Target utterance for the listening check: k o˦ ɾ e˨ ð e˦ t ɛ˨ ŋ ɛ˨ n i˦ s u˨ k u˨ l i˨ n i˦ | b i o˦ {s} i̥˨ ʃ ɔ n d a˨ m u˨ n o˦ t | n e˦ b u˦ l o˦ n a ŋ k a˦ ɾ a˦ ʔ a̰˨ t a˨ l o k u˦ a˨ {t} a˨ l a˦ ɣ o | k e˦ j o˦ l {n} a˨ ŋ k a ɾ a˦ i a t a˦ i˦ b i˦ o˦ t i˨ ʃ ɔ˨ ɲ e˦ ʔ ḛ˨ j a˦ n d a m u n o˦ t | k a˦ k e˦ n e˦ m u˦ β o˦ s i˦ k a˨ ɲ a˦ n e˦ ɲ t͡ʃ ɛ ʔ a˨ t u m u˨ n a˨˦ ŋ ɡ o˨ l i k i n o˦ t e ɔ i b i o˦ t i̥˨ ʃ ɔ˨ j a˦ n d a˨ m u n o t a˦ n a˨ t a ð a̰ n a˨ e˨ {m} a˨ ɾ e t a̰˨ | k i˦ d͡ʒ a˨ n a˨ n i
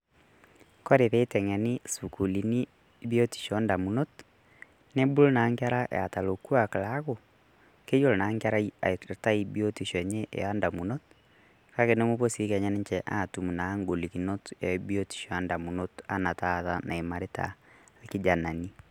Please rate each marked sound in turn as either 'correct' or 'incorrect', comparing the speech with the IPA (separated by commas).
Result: incorrect, incorrect, correct, correct